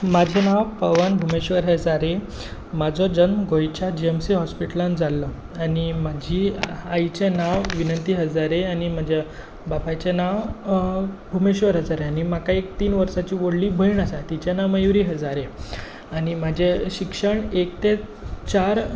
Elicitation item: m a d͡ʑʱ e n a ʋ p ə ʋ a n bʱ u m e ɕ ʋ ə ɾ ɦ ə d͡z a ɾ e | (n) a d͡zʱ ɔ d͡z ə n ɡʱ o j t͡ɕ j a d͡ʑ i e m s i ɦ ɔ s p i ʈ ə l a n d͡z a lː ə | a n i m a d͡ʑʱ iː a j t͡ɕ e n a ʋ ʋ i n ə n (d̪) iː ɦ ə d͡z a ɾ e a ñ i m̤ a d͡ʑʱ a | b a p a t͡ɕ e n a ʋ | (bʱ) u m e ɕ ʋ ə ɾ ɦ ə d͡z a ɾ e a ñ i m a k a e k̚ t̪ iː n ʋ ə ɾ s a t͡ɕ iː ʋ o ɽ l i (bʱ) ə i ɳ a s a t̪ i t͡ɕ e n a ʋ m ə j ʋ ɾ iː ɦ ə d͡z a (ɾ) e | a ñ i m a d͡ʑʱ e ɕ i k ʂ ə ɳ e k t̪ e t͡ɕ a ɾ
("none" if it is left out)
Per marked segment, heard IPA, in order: m, t̪, bʱ, bʱ, ɾ

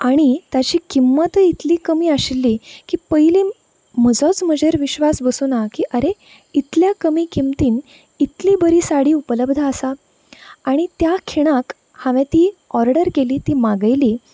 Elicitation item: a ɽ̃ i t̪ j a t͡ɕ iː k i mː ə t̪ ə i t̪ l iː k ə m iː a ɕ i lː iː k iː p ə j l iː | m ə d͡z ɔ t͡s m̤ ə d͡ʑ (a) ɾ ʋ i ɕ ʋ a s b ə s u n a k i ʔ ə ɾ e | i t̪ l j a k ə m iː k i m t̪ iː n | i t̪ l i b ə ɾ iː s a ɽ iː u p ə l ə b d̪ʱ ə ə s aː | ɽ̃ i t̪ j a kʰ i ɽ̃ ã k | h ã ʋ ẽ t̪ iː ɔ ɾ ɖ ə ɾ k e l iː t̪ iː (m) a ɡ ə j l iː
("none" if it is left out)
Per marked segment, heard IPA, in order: e, m

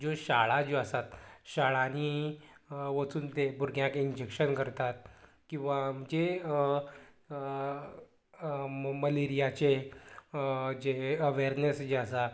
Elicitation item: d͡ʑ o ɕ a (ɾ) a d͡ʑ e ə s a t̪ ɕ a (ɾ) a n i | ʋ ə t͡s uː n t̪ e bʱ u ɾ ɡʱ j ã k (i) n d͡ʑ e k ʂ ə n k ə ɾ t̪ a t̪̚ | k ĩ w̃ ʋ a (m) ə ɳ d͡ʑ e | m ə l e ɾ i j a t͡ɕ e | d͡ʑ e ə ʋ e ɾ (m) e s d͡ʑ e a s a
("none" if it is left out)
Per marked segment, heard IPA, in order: ɭ, ɭ, i, m, n

